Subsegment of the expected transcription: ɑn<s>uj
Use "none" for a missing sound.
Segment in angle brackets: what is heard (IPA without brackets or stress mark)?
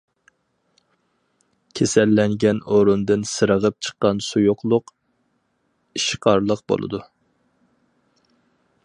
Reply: s